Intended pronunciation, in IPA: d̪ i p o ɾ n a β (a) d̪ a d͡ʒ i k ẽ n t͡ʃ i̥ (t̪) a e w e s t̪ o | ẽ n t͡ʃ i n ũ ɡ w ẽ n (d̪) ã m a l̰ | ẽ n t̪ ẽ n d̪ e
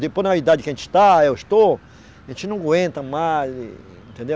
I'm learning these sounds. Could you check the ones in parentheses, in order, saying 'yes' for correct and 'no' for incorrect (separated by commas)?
no, yes, no